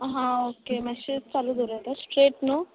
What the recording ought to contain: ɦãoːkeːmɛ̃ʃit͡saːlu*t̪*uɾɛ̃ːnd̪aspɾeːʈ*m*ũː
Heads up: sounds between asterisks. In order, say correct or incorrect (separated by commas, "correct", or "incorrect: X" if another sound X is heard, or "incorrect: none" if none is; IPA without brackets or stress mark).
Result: incorrect: d̪, incorrect: n